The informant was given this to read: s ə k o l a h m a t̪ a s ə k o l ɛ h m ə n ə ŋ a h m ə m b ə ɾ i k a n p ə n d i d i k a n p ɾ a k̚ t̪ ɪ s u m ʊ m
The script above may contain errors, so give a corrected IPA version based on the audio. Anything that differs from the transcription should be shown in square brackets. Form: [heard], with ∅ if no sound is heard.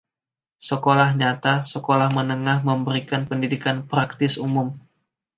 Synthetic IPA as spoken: s ə k o l a h [ɲ] a t̪ a s ə k o l [a] h m ə n ə ŋ a h m ə m b ə ɾ i k a n p ə n d i d i k a n p ɾ a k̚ t̪ ɪ s u m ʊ m